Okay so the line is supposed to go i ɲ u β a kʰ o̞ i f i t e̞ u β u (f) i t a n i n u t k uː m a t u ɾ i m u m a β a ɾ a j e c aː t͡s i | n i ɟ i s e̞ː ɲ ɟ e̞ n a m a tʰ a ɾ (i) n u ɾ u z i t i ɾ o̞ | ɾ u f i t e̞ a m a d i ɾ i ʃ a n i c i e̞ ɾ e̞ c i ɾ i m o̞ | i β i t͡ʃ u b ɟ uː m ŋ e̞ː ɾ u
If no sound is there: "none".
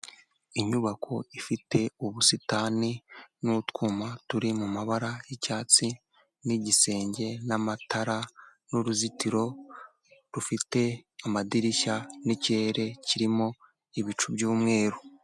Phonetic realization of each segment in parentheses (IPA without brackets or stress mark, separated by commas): s, a